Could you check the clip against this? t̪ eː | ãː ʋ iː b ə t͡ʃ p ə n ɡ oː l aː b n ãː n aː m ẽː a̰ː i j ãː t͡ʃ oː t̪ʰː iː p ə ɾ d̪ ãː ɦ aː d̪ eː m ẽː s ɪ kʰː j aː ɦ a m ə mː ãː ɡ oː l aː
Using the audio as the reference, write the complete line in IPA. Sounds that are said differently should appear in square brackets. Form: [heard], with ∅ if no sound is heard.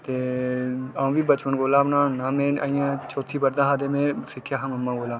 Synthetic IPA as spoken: t̪ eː | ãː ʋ iː b ə t͡ʃ p ə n ɡ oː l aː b n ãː n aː m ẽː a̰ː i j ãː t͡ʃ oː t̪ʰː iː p ə ɾ d̪ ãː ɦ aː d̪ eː m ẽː s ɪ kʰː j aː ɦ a m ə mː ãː ɡ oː l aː